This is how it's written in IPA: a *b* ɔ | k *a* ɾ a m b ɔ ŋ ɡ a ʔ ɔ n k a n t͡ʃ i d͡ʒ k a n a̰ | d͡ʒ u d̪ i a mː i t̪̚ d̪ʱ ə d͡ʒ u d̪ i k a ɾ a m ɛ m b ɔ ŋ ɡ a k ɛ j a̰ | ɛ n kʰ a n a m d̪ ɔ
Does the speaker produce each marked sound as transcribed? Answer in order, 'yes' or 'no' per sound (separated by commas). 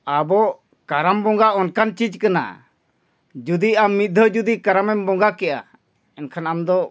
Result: yes, yes